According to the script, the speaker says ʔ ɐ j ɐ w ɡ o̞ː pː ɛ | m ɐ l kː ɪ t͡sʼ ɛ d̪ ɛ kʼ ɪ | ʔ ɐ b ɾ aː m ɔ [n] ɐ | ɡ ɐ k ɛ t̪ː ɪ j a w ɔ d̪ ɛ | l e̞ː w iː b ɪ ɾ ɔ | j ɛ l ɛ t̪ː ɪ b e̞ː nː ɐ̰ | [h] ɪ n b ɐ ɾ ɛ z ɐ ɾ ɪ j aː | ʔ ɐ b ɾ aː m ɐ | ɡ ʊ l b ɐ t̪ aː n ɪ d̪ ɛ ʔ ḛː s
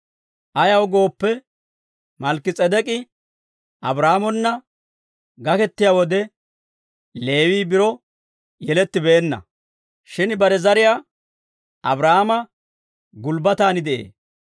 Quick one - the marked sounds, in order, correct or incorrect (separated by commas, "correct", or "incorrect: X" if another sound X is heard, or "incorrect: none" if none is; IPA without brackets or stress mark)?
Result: incorrect: nː, incorrect: ʃ